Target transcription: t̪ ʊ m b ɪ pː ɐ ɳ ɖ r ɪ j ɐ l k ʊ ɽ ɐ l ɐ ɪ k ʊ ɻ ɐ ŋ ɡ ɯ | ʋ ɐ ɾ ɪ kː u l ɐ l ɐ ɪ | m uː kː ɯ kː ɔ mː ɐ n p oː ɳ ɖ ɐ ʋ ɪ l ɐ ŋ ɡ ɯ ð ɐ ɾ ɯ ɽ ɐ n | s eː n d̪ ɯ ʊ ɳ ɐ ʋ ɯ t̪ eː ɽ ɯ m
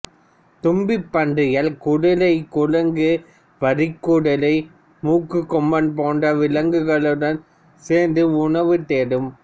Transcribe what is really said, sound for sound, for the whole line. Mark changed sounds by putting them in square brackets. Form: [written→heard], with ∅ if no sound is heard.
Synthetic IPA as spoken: t̪ ʊ m b ɪ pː ɐ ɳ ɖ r ɪ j ɐ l k ʊ ɽ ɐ l ɐ ɪ k ʊ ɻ ɐ ŋ ɡ ɯ | ʋ ɐ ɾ ɪ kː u [l→ɽ] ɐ l ɐ ɪ | m uː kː ɯ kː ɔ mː ɐ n p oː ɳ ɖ ɐ ʋ ɪ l ɐ ŋ ɡ ɯ [ð→ɣ] ɐ [ɾ→ɭ] ɯ ɽ ɐ n | s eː n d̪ ɯ ʊ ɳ ɐ ʋ ɯ t̪ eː ɽ ɯ m